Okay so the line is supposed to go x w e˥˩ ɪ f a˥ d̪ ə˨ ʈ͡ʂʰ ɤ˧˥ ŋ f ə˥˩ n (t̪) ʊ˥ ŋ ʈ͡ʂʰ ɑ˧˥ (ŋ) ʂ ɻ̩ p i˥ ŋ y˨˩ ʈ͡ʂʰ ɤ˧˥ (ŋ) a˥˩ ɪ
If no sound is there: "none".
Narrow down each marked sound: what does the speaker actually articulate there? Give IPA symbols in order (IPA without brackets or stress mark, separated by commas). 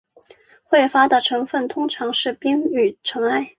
t̪ʰ, ŋ, ŋ